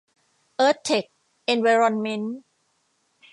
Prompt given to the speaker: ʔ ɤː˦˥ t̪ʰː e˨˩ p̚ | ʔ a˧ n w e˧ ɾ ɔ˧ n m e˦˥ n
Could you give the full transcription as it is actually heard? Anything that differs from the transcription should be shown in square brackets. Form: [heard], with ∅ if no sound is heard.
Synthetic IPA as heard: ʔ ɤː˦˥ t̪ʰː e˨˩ [k̚] | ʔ [e˧] n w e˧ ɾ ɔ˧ n m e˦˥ n